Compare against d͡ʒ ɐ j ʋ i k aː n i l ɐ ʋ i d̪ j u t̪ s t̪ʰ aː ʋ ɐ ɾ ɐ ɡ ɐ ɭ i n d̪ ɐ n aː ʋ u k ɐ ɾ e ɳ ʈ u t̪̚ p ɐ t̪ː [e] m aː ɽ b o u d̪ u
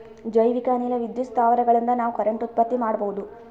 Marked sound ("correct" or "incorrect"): incorrect